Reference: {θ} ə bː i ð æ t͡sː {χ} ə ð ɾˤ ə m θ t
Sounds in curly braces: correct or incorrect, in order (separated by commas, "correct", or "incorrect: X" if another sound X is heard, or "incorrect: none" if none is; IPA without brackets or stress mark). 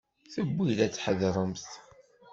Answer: correct, incorrect: ħ